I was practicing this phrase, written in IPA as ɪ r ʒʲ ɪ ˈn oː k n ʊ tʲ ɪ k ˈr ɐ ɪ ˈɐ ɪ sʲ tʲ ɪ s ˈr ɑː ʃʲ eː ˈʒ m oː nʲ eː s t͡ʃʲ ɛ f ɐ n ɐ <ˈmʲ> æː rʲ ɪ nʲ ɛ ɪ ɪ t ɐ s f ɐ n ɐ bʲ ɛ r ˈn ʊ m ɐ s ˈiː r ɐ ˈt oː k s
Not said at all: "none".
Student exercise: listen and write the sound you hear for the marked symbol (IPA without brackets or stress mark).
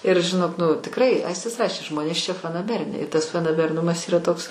bʲ